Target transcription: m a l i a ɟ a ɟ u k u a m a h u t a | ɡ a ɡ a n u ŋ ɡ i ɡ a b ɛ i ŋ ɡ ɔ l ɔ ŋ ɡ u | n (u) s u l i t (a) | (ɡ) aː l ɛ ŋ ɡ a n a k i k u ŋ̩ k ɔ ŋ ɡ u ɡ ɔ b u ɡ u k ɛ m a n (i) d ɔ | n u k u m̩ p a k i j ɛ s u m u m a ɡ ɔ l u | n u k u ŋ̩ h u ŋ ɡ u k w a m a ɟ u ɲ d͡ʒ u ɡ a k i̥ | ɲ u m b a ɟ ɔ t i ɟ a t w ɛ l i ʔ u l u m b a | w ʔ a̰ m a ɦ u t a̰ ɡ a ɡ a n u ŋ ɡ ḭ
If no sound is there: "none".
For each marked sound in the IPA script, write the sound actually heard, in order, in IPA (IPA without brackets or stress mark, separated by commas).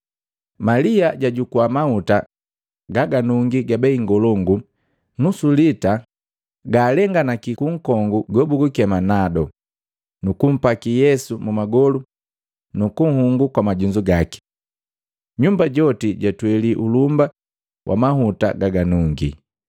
u, a, ɡ, a